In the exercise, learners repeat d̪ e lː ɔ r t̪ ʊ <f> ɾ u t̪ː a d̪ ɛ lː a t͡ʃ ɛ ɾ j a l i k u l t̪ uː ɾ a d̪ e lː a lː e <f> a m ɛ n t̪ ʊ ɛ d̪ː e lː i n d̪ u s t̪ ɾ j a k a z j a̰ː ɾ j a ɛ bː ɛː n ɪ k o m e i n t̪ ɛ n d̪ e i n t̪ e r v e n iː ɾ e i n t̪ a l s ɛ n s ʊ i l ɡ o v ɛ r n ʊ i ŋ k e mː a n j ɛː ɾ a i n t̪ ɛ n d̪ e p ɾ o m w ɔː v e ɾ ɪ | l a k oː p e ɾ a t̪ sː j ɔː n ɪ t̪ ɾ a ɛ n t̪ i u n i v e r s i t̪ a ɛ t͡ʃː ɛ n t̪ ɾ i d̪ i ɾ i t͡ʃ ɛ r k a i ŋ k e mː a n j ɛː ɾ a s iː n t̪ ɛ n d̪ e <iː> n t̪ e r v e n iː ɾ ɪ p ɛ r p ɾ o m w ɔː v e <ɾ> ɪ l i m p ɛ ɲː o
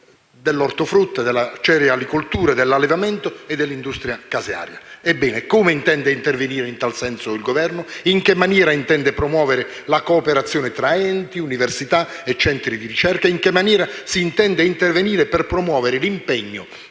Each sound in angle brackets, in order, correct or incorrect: correct, incorrect: v, incorrect: i, correct

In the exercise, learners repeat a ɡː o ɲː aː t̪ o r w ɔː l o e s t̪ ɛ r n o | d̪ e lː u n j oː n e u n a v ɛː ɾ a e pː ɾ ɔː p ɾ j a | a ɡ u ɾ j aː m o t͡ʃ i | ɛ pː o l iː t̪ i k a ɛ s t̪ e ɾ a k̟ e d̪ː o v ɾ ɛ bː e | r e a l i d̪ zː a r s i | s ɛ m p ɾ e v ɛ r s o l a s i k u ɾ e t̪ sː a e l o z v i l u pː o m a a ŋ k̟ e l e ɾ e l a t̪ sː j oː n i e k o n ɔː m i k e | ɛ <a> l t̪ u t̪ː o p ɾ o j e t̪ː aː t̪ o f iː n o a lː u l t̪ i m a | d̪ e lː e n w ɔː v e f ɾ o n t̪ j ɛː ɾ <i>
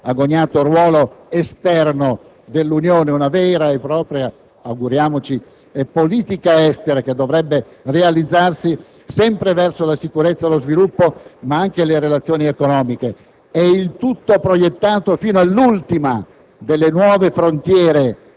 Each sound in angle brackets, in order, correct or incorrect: incorrect: i, incorrect: e

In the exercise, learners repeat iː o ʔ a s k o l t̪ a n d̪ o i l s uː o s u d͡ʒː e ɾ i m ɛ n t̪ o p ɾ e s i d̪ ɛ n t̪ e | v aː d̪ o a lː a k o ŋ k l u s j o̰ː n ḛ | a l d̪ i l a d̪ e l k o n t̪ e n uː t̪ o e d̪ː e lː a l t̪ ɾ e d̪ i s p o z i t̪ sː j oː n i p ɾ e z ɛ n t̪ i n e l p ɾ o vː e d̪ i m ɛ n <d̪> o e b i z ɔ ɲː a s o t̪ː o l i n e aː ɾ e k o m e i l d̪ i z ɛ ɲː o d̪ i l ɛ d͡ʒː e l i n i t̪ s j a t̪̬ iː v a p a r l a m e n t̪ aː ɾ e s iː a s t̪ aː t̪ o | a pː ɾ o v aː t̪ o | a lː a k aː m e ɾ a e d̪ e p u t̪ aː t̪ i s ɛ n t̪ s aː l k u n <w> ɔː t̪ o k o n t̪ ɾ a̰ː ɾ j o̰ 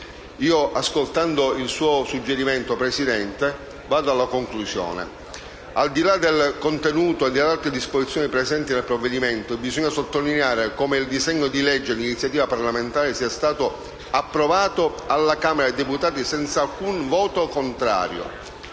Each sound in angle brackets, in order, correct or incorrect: incorrect: t̪, incorrect: v

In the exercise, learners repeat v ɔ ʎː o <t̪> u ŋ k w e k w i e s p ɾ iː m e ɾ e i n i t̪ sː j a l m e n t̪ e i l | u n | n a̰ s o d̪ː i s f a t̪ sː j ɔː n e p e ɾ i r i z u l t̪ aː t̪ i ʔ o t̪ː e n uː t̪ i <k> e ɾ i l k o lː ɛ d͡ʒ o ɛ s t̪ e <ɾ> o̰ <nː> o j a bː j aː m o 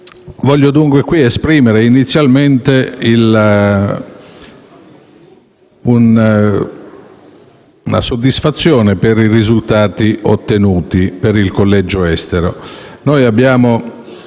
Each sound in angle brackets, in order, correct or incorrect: incorrect: d̪, incorrect: p, correct, incorrect: n

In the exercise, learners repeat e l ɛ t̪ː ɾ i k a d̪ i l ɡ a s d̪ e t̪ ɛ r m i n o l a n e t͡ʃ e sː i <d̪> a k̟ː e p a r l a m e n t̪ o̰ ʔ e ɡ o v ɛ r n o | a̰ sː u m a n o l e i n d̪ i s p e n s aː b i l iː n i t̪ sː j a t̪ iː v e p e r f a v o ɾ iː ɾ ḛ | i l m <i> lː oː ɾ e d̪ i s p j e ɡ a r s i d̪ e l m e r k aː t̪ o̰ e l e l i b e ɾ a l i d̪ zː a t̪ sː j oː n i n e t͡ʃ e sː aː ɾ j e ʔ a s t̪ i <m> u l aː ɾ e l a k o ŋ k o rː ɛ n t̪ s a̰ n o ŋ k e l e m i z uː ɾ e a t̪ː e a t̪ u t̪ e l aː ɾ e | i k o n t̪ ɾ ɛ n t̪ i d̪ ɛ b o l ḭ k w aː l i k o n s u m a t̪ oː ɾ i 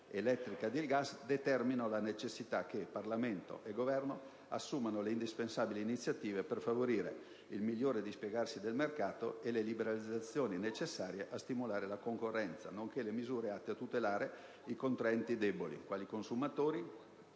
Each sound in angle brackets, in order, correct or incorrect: incorrect: t̪, correct, correct

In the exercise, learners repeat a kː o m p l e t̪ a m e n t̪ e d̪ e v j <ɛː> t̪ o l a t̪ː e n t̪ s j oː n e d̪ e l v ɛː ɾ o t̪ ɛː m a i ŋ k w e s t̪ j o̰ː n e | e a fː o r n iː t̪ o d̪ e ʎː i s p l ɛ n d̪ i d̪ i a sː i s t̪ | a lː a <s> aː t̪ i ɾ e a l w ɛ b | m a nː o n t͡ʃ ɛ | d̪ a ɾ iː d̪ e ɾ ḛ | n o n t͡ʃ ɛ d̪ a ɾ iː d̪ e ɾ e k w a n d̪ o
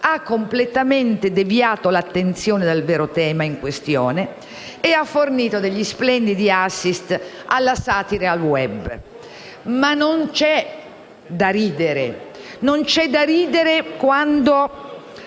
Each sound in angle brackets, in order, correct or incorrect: incorrect: aː, correct

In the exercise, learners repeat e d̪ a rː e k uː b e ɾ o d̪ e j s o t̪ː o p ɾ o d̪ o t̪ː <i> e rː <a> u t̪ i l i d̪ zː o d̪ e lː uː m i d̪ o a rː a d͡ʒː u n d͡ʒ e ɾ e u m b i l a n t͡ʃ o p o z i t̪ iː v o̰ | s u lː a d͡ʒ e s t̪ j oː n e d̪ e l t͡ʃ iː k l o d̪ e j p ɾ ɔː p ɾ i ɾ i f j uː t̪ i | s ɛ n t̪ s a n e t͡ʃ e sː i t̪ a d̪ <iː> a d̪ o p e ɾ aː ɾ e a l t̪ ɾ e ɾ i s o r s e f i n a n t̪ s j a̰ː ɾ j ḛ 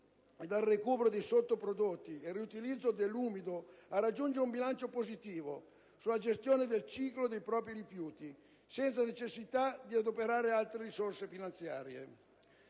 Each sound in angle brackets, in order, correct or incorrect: correct, incorrect: i, incorrect: i

